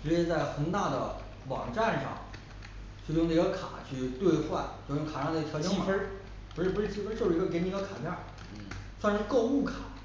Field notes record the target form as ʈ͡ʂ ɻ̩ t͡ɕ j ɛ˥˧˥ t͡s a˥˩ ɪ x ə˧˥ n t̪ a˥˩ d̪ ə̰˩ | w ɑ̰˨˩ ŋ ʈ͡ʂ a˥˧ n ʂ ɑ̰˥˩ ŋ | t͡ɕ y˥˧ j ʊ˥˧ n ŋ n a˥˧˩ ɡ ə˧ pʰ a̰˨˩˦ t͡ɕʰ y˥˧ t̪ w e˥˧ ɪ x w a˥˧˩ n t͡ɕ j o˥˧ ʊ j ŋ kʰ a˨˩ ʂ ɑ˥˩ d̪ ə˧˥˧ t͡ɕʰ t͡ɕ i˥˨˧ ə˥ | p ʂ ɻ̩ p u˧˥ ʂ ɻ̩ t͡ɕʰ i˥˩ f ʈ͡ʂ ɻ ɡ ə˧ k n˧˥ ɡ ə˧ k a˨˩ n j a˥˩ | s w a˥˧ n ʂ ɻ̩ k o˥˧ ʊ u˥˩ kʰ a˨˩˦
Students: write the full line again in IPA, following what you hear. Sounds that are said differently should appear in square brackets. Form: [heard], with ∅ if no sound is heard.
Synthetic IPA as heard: ʈ͡ʂ ɻ̩ t͡ɕ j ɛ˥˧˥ t͡s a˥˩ ɪ x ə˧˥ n t̪ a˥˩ d̪ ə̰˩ | w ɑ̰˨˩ ŋ ʈ͡ʂ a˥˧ n ʂ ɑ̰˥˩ ŋ | [t͡ɕʰ] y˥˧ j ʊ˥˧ [∅] ŋ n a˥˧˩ ɡ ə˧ [kʰ] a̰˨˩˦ t͡ɕʰ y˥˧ t̪ w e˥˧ ɪ x w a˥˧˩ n t͡ɕ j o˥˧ ʊ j ŋ kʰ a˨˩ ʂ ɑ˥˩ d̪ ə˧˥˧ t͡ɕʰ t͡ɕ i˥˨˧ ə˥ | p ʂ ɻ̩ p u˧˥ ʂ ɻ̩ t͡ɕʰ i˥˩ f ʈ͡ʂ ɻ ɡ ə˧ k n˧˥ ɡ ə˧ [kʰ] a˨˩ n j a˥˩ | s w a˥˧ n ʂ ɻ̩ k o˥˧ ʊ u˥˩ kʰ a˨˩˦